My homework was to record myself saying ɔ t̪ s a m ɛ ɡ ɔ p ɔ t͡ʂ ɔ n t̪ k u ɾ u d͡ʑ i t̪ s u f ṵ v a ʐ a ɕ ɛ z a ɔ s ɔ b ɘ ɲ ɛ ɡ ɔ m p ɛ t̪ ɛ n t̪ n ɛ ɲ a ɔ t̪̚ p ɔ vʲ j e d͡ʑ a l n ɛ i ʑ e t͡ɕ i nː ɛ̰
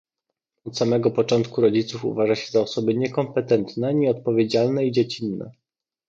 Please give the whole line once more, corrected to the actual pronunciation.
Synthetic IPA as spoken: ɔ t̪ s a m ɛ ɡ ɔ p ɔ t͡ʂ ɔ n t̪ k u ɾ ɔ d͡ʑ i t̪ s u f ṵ v a ʐ a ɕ ɛ z a ɔ s ɔ b ɘ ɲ ɛ k ɔ m p ɛ t̪ ɛ n t̪ n ɛ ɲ ɛ ɔ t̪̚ p ɔ vʲ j e d͡ʑ a l n ɛ i d͡ʑ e t͡ɕ i nː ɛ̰